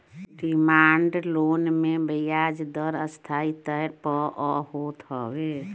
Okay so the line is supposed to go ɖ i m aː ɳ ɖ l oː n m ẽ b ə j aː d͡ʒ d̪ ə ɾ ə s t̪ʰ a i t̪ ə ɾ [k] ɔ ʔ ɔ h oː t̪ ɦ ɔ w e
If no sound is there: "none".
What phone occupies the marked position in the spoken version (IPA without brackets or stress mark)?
p